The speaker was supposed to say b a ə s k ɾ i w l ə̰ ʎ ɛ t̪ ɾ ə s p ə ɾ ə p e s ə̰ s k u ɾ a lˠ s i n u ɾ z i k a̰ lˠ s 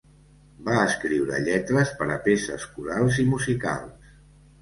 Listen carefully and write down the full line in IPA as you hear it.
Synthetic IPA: b a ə s k ɾ i w ɾ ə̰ ʎ ɛ t̪ ɾ ə s p ə ɾ ə p e s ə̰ s k u ɾ a lˠ z i m u z i k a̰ lˠ s